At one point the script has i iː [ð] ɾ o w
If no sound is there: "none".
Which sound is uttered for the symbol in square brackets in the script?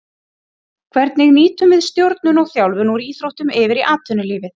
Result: θ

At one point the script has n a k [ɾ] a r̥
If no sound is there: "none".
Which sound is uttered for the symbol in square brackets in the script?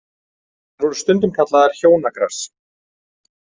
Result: ɾ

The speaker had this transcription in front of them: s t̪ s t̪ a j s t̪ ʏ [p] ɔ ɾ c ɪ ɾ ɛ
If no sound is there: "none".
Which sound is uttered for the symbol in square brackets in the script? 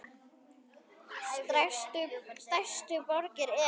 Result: p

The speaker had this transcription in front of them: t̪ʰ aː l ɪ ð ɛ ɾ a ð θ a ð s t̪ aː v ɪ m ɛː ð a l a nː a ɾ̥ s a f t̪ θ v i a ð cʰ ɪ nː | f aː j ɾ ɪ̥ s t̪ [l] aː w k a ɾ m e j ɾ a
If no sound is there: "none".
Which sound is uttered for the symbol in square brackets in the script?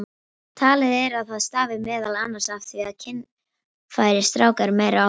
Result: ɾ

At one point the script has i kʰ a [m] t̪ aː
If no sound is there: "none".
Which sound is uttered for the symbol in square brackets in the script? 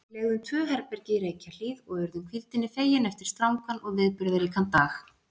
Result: n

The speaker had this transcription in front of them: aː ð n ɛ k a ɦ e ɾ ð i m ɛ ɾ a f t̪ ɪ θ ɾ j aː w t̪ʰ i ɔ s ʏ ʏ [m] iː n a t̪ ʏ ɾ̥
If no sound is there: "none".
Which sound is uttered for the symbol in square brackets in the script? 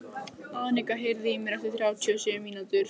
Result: m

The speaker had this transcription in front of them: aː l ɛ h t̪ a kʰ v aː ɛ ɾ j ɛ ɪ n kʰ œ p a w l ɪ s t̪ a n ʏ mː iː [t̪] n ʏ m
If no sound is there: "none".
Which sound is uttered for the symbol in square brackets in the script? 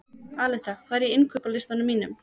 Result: none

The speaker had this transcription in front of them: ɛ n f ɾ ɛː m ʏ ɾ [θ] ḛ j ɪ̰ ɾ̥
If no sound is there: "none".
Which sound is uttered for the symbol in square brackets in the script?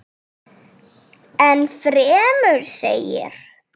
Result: s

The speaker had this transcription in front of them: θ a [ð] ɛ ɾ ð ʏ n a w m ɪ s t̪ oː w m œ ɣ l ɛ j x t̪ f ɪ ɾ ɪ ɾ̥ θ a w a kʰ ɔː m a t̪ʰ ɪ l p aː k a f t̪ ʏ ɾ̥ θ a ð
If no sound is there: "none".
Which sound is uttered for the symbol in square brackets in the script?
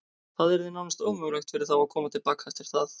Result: ð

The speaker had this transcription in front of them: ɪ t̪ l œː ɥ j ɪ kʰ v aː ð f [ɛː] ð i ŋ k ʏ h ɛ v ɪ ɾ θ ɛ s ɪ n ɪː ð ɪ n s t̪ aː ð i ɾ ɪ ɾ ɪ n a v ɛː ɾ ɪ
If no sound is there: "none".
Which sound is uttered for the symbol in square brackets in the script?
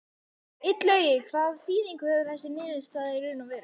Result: iː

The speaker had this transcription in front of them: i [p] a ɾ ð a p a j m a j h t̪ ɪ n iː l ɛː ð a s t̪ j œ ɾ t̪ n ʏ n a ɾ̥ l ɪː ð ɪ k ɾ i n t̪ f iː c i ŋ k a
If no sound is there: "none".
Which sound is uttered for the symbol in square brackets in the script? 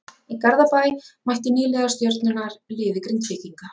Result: k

